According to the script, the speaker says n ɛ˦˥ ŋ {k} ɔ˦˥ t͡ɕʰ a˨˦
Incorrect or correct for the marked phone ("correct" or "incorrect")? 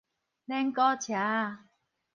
correct